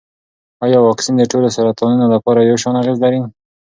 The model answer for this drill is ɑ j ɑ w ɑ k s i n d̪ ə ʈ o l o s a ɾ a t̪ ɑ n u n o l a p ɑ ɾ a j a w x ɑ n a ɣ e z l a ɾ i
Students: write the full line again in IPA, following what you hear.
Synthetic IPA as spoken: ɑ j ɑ w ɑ k s i n d̪ ə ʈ o l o s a ɾ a t̪ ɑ n u n o l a p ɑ ɾ a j a w ʃ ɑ n a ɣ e z l a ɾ i